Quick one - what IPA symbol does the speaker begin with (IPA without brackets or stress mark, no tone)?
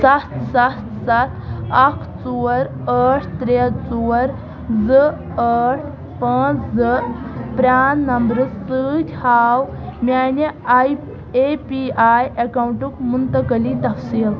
s